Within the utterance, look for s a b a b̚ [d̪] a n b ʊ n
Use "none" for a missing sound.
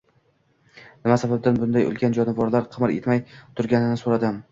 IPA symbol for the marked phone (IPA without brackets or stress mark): d̪